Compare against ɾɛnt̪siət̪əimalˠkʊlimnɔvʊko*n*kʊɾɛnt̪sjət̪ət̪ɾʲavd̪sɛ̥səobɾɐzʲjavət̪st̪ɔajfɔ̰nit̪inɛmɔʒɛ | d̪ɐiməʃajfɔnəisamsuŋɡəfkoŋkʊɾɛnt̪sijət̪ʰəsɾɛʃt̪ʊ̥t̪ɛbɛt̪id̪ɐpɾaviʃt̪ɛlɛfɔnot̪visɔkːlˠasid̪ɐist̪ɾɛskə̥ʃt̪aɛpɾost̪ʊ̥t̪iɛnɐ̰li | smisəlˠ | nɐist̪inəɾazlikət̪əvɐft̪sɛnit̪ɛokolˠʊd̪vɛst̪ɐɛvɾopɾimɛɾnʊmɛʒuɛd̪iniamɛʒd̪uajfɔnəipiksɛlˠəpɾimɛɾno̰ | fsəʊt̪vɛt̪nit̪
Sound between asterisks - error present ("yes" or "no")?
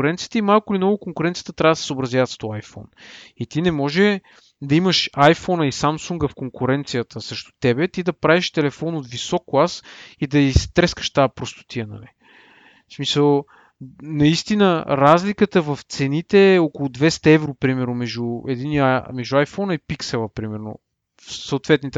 yes